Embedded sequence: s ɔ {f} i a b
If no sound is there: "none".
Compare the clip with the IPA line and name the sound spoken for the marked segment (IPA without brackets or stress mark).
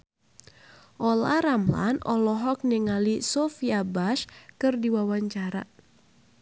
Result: f